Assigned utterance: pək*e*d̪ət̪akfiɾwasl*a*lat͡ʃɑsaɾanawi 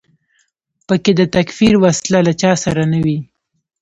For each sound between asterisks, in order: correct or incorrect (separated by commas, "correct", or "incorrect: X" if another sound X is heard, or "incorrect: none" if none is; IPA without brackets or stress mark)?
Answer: correct, correct